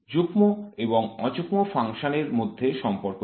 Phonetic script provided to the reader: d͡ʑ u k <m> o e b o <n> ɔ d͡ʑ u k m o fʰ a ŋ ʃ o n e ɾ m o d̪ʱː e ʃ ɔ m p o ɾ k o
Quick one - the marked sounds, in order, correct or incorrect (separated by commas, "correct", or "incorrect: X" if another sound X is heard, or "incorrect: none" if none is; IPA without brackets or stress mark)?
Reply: correct, incorrect: ŋ